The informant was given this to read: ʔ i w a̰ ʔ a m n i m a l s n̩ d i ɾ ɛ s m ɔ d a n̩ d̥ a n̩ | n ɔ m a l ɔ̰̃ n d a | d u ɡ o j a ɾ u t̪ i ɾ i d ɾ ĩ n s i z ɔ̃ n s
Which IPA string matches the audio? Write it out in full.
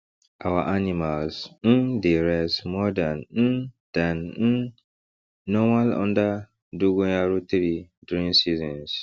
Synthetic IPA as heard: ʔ a w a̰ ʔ a n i m a l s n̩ d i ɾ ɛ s m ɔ d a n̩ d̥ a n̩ | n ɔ m a l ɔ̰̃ n d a | d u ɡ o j a ɾ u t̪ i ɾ i d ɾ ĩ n s i z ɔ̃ n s

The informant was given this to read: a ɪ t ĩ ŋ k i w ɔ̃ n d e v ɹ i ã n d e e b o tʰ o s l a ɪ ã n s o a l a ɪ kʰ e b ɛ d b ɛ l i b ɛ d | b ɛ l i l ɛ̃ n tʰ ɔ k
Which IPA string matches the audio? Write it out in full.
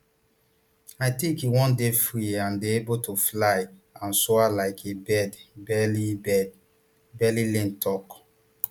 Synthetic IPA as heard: a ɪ t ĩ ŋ k i w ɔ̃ n d e f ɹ i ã n d e e b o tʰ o f l a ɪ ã n s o a l a ɪ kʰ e b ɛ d b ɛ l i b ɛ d | b ɛ l i l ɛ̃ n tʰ ɔ k

